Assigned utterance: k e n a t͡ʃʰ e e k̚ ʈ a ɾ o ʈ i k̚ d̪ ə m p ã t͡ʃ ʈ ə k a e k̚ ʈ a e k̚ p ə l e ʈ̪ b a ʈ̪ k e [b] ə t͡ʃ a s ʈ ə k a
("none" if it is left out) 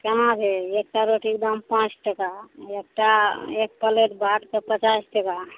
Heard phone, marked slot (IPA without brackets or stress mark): p